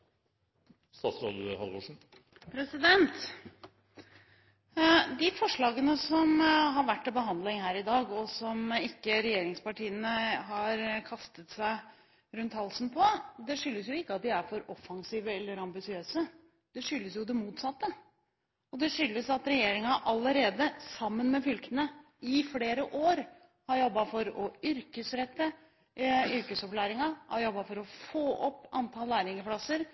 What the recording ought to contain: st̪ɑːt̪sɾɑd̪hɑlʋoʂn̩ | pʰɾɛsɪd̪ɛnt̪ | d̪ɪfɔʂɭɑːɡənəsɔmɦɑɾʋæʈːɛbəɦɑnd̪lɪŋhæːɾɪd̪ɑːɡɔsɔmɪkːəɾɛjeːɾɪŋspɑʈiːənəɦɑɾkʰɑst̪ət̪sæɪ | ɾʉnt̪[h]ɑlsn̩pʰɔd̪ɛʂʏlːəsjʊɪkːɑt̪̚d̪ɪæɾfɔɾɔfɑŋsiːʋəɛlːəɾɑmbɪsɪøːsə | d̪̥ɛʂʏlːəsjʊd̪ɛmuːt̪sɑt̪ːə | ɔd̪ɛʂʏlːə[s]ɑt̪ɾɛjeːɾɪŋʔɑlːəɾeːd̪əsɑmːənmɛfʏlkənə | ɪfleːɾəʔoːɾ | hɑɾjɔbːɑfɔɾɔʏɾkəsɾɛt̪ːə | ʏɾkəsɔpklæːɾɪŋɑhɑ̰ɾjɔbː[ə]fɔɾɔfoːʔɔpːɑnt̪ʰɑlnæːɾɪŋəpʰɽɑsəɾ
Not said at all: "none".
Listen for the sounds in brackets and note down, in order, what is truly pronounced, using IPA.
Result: h, s, ɑ

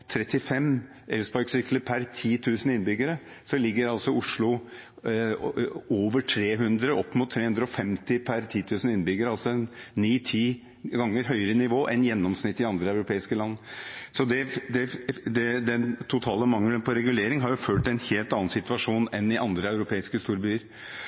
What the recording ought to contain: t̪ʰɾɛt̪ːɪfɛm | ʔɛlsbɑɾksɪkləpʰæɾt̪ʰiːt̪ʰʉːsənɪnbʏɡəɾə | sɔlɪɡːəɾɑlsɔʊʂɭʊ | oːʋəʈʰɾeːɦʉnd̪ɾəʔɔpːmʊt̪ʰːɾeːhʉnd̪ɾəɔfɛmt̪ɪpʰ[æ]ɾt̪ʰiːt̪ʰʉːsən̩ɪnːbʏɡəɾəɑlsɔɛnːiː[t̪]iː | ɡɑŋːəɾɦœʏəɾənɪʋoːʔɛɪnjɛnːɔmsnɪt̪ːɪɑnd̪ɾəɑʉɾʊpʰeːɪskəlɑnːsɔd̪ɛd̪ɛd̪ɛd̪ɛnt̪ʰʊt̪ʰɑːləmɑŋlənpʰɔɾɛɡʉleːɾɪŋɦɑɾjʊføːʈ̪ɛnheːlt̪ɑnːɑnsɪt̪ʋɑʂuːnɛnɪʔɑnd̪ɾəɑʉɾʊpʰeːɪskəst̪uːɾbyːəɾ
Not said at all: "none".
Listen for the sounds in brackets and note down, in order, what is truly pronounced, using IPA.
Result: æ, t̪ʰ

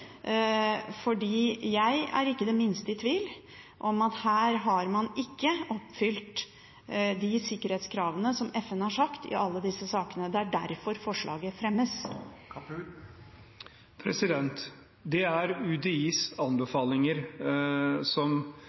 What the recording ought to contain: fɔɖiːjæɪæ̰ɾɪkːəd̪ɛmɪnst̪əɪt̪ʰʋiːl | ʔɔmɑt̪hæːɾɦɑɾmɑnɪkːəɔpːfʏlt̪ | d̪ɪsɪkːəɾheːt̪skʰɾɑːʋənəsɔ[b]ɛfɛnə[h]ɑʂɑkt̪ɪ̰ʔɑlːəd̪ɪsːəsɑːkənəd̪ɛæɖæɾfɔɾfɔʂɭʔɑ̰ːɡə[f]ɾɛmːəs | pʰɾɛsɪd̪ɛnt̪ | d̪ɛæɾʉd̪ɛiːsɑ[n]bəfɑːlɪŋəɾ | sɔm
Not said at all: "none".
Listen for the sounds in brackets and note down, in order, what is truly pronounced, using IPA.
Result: m, h, f, n

